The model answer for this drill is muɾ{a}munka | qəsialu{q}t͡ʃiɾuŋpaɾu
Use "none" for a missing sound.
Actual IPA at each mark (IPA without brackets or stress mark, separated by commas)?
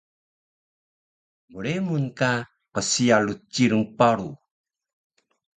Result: e, none